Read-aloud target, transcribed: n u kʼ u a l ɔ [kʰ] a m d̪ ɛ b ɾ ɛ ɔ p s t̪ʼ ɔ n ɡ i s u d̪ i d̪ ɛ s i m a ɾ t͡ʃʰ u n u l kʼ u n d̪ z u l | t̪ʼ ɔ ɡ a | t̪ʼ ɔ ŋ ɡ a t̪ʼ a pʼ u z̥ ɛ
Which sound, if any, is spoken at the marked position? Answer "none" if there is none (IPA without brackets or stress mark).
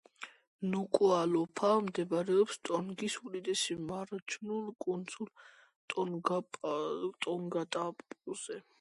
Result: pʰ